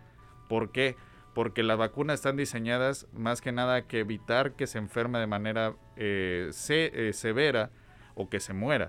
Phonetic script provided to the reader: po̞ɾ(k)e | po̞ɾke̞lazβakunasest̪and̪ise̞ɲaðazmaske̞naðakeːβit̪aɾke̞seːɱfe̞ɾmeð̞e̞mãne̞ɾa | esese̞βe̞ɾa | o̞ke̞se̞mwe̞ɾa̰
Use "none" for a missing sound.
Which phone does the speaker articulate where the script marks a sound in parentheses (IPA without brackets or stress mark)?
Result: k